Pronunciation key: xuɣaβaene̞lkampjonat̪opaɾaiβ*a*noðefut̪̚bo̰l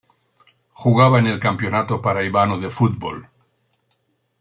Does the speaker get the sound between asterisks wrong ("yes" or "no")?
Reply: no